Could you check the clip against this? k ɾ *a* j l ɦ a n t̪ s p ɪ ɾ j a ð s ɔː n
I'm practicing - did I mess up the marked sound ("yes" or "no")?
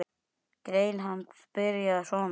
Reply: yes